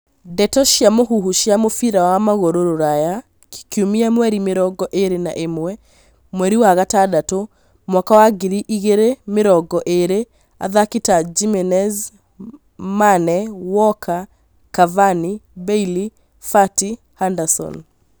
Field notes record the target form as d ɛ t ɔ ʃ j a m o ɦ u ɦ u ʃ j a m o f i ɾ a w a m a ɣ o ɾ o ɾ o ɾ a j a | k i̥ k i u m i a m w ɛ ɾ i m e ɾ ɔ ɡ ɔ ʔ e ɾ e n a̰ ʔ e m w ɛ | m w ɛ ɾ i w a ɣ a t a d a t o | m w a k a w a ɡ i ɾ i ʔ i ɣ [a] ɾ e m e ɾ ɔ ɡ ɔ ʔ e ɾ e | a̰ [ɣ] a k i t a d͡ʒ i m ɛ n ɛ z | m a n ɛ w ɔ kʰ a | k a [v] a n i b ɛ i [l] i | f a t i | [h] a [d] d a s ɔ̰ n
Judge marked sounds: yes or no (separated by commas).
no, no, yes, yes, yes, no